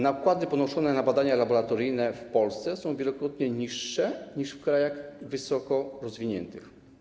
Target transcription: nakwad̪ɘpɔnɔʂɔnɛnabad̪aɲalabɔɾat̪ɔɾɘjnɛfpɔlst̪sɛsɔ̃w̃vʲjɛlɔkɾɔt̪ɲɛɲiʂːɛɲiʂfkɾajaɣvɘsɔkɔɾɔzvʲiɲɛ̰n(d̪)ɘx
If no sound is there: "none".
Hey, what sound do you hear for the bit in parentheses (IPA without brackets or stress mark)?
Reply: t̪